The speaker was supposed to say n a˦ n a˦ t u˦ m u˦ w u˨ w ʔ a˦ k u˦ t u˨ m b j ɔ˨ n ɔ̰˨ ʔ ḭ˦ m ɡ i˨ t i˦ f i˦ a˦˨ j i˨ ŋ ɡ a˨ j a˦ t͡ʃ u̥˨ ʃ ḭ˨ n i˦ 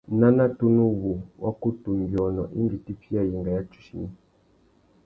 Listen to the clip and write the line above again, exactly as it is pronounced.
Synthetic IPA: n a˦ n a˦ t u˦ n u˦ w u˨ w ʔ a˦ k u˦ t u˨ m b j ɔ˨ n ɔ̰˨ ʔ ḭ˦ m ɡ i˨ t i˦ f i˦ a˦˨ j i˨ ŋ ɡ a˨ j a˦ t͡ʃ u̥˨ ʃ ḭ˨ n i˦